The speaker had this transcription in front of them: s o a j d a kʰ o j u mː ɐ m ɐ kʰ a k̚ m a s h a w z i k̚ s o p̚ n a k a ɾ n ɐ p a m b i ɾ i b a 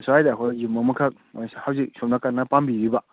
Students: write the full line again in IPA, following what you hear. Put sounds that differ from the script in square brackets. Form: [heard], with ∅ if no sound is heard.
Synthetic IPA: s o a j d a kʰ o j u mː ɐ m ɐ kʰ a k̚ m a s h a w z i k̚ s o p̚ n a k a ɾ n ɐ p a m b i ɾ i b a